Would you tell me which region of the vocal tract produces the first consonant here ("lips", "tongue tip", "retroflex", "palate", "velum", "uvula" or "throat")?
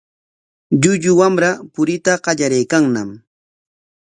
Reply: palate